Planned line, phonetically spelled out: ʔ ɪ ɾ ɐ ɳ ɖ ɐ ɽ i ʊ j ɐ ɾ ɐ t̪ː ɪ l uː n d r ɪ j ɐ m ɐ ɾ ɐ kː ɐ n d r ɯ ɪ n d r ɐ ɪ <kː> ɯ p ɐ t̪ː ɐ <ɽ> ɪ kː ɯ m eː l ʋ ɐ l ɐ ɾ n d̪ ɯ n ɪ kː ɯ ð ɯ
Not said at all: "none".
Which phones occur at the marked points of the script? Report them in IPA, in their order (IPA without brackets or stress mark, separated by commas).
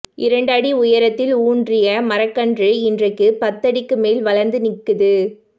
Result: kː, ɽ